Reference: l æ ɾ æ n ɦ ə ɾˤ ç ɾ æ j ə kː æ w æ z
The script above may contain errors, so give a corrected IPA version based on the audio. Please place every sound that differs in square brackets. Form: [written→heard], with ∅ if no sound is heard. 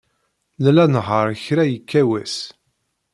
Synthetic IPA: l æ [ɾ→l] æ n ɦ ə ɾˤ ç ɾ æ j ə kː æ w æ [z→s]